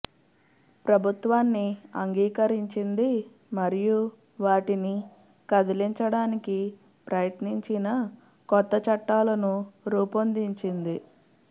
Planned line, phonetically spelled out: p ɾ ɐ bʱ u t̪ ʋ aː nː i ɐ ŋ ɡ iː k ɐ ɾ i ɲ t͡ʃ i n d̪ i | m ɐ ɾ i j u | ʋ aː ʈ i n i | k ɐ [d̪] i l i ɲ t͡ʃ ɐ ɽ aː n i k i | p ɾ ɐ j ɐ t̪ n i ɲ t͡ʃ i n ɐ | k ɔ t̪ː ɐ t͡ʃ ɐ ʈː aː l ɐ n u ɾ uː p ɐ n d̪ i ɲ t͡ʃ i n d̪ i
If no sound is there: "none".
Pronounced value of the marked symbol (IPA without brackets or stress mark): d̪